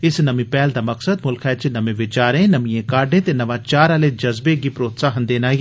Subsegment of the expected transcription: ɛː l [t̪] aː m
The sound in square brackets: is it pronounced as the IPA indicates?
no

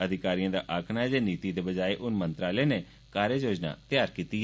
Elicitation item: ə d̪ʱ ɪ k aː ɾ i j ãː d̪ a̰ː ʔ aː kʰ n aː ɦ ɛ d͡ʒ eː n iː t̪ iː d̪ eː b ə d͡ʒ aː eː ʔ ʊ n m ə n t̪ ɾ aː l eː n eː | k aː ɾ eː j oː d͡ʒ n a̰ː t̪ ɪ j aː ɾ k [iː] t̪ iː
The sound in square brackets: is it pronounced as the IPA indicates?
yes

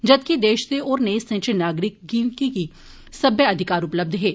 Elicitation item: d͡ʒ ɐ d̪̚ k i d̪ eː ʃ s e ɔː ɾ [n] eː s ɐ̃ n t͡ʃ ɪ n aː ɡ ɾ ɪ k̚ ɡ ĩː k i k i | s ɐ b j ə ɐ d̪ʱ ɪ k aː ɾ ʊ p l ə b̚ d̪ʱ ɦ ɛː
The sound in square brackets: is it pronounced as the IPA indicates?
yes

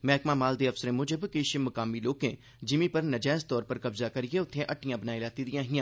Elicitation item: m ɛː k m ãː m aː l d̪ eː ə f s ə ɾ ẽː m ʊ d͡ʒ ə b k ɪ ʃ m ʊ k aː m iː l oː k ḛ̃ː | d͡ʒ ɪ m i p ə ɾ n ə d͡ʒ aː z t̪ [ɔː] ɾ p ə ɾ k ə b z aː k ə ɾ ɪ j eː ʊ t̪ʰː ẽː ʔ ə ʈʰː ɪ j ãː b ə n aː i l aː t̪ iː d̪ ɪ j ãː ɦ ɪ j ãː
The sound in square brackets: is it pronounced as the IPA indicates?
yes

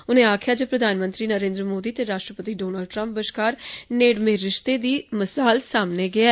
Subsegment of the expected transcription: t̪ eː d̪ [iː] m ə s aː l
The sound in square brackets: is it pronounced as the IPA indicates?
yes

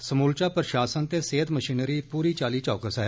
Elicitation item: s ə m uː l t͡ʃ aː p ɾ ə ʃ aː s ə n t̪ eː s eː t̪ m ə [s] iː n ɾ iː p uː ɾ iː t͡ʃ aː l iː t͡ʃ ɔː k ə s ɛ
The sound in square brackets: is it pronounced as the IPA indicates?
no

